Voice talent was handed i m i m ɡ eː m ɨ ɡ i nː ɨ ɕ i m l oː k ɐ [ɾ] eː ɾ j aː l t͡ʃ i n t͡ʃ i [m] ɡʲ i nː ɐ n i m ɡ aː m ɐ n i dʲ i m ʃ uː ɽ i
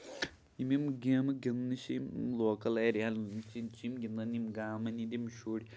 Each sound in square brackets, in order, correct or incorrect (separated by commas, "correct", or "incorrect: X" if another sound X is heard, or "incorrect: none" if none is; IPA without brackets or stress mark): incorrect: l, correct